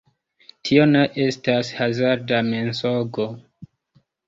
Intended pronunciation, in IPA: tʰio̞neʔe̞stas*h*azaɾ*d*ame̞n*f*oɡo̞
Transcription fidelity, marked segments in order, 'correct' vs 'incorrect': correct, correct, incorrect: s

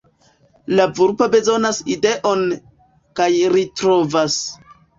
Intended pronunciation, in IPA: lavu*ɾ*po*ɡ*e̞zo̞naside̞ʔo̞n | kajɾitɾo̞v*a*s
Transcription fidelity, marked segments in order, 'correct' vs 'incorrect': correct, incorrect: b, correct

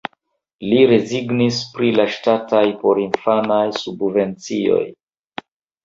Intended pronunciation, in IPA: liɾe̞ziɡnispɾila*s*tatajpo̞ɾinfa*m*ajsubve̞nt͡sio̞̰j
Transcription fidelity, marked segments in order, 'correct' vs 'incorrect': incorrect: ʃ, incorrect: n

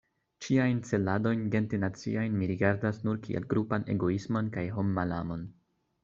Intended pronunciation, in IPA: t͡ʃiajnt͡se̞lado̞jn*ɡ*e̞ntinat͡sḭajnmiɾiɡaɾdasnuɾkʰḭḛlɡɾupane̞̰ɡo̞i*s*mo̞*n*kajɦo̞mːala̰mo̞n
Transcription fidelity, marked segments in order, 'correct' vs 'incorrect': correct, correct, correct

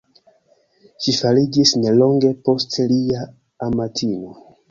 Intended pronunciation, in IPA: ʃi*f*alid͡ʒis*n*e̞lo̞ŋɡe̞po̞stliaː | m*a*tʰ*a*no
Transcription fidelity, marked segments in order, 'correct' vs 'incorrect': correct, correct, correct, incorrect: i

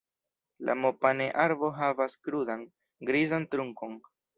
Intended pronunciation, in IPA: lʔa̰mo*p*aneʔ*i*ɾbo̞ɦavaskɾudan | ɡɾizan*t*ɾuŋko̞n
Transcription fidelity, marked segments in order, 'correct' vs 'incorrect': correct, incorrect: a, correct

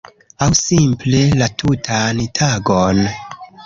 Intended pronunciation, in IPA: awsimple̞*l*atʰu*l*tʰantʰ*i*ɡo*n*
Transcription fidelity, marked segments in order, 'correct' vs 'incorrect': correct, incorrect: none, incorrect: a, correct

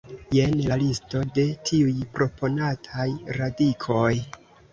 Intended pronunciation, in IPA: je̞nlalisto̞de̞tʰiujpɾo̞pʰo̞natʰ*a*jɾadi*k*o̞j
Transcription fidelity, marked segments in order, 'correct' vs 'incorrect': correct, incorrect: kʰ

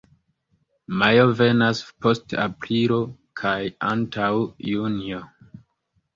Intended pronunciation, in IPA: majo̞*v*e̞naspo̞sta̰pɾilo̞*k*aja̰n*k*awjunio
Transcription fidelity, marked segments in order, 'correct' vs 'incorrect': correct, incorrect: kʰ, incorrect: t

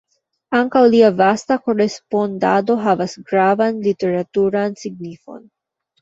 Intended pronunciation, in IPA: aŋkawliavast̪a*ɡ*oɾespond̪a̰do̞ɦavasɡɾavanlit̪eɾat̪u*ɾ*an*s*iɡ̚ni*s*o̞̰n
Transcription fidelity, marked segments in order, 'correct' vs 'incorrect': incorrect: k, correct, correct, incorrect: f

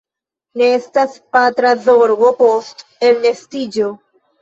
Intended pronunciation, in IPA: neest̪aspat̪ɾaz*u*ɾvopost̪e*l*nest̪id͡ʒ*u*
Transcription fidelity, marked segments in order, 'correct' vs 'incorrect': incorrect: o, correct, incorrect: o

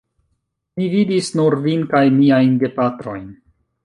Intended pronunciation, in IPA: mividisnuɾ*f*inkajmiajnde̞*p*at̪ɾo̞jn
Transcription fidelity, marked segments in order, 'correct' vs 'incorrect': incorrect: v, correct

